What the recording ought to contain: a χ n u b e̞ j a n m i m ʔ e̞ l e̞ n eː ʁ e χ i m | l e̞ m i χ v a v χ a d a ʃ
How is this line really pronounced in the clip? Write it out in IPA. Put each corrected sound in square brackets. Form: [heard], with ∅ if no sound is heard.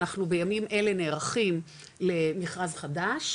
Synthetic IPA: a χ n u b e̞ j a [∅] m i m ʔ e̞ l e̞ n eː ʁ [a] χ i m | l e̞ m i χ [ʁ] a [z] χ a d a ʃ